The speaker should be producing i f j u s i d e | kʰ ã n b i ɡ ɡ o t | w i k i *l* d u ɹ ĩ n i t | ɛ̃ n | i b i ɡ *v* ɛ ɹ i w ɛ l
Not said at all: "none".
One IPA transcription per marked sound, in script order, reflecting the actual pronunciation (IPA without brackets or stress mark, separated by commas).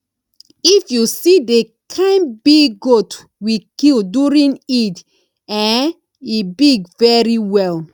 l, v